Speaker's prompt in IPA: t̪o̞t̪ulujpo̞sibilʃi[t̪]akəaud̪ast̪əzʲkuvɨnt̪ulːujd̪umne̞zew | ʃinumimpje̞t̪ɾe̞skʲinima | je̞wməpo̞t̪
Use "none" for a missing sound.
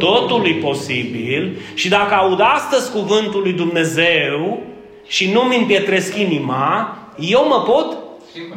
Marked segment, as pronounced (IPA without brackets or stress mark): d̪